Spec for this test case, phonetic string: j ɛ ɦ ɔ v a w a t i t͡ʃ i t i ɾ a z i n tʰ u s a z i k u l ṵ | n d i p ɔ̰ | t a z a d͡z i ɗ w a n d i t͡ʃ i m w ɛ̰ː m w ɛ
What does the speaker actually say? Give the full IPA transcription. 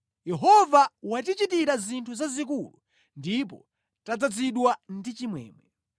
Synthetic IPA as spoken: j ɛ ɦ ɔ v a w a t i t͡ʃ i t i ɾ a z i n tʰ u z a z i k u l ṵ | n d i p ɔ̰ | t a d͡z a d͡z i ɗ w a n d i t͡ʃ i m w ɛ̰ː m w ɛ